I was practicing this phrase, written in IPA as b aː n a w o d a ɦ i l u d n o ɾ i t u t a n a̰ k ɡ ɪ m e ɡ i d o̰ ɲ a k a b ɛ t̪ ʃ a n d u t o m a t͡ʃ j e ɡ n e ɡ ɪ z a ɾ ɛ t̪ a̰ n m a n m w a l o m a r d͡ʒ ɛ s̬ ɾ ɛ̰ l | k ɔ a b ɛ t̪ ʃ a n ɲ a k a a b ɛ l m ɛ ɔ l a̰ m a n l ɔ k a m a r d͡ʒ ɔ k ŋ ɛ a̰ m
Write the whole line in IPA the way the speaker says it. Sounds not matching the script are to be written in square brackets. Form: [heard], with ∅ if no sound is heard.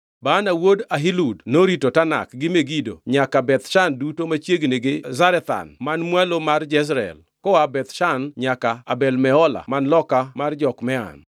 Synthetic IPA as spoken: b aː n a w o d a ɦ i l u d n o ɾ i t [o] t a n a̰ k ɡ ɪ m e ɡ i d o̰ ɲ a k a b ɛ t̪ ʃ a n d u t o m a t͡ʃ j e ɡ n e ɡ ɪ z a ɾ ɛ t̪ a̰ n m a n m w a l o m a r d͡ʒ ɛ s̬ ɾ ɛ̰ l | k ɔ a b ɛ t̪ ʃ a n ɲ a k a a b ɛ l m ɛ ɔ l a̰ m a n l ɔ k a m a r d͡ʒ ɔ k [m] ɛ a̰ [n]